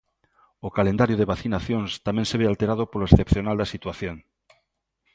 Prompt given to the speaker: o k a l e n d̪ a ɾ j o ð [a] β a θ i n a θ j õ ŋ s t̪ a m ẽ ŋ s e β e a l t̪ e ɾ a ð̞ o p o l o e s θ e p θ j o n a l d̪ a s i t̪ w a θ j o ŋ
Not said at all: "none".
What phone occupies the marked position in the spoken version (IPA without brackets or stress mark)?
e